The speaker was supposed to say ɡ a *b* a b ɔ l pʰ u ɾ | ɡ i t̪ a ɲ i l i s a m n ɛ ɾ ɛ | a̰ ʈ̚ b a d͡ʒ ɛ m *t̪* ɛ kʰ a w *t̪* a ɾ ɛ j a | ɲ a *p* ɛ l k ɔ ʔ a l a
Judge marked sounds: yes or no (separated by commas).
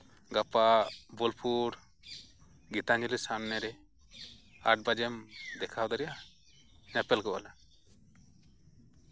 no, no, no, yes